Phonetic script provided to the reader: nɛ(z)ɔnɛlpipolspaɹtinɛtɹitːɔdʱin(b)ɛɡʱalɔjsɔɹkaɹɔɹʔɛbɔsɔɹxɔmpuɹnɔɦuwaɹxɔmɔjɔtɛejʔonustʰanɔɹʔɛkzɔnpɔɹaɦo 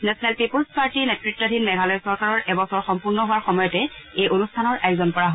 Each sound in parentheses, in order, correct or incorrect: incorrect: s, incorrect: m

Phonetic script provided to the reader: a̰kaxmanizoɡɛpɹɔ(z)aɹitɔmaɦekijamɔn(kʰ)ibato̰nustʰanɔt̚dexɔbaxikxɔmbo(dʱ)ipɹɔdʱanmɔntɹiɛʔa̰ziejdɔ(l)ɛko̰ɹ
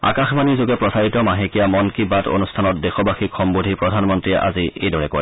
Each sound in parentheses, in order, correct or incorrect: incorrect: s, incorrect: k, correct, incorrect: ɹ

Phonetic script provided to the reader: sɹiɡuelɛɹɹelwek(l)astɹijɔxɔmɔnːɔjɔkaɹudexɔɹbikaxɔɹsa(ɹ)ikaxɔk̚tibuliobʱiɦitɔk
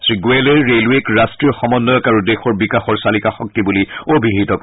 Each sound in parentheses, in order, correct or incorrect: incorrect: ɹ, incorrect: l

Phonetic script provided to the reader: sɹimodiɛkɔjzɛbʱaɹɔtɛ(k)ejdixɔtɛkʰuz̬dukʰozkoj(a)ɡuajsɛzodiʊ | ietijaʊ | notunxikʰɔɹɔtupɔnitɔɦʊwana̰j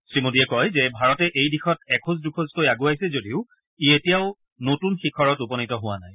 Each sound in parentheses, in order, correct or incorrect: incorrect: ʔ, correct

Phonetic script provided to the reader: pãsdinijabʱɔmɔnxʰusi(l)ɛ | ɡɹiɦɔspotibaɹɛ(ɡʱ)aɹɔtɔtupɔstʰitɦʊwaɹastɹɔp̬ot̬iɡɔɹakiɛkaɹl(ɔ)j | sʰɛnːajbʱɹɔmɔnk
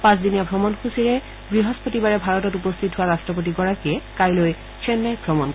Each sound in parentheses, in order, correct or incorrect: incorrect: ɹ, incorrect: bʱ, incorrect: o

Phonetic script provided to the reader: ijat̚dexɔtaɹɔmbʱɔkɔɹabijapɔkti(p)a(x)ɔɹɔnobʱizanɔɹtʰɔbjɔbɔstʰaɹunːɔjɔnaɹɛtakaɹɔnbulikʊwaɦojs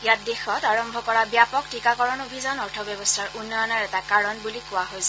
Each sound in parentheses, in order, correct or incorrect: incorrect: k, incorrect: k

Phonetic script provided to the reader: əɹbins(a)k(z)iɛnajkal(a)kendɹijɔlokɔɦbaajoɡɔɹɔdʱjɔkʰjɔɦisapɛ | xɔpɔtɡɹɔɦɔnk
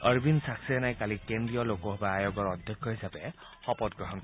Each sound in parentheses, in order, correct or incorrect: correct, incorrect: s, incorrect: i

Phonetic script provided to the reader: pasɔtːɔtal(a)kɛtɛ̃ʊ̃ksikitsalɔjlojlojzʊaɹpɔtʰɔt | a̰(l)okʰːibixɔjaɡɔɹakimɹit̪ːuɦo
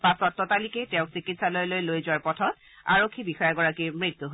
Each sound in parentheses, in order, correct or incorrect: incorrect: i, incorrect: ɹ

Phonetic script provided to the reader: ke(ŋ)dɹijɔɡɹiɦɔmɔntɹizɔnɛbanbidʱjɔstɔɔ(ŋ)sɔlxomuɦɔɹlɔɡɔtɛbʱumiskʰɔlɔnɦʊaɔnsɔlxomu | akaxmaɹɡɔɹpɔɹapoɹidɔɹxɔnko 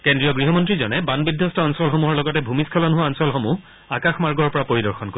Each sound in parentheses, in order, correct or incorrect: incorrect: n, incorrect: n

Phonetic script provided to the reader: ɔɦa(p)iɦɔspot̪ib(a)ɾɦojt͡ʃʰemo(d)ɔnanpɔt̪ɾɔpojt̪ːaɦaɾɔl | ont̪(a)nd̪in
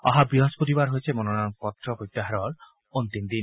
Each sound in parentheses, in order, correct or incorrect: incorrect: b, correct, incorrect: n, incorrect: i

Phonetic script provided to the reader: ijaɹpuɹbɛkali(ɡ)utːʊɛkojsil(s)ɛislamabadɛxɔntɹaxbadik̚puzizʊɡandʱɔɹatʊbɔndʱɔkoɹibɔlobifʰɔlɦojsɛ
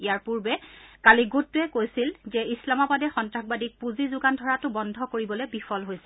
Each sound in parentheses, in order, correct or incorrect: correct, incorrect: z

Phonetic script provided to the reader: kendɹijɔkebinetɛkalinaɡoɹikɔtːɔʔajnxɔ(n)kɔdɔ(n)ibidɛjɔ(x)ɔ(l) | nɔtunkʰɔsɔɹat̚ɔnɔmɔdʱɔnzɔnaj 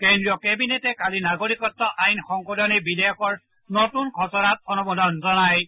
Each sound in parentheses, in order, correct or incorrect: incorrect: ŋ, correct, incorrect: k, incorrect: ɹ

